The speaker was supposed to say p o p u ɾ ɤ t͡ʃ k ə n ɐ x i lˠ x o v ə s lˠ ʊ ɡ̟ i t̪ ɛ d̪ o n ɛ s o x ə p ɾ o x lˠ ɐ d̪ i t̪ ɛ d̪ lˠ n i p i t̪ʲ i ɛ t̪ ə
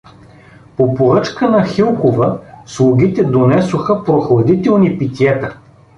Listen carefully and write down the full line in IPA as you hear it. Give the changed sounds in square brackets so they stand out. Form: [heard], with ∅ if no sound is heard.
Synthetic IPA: p o p [o] ɾ ɤ t͡ʃ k ə n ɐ x i lˠ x o v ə s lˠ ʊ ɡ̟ i t̪ ɛ d̪ o n ɛ s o x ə p ɾ o x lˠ ɐ d̪ i t̪ ɛ [∅] lˠ n i p i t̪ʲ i ɛ t̪ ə